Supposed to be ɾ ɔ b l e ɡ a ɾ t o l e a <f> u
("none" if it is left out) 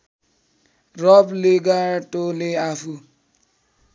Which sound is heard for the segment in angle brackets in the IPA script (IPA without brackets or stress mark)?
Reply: f